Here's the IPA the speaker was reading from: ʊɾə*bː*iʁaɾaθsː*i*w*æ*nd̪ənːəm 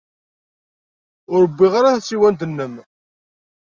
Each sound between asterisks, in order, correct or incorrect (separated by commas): correct, correct, correct